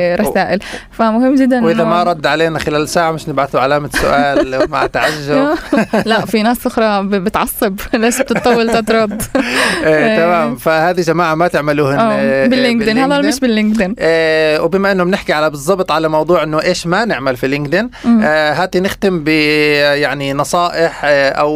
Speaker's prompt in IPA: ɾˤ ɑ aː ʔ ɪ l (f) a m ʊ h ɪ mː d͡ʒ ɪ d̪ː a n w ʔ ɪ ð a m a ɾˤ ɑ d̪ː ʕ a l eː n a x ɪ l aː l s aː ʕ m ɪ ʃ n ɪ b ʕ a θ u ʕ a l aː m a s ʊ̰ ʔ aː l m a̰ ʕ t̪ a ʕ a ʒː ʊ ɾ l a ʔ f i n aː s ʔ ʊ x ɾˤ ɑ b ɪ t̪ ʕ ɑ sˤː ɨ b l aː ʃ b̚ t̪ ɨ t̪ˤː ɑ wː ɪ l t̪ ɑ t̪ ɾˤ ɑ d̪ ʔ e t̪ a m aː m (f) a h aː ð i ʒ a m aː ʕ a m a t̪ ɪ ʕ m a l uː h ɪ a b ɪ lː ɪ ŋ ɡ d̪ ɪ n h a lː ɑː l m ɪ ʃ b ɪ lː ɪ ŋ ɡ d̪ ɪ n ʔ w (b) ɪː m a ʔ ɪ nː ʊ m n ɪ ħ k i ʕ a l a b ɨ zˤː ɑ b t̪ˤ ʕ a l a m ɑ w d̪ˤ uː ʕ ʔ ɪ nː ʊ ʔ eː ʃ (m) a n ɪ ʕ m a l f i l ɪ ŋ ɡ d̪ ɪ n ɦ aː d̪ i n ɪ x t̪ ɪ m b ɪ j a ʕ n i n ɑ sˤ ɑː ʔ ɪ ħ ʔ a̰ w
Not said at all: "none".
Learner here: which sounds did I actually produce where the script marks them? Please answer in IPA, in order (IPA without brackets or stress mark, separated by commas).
f, f, b, m